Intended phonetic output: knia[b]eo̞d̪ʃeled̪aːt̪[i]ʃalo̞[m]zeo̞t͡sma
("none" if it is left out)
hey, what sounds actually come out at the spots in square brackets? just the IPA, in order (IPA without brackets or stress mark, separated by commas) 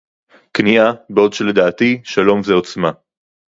b, i, m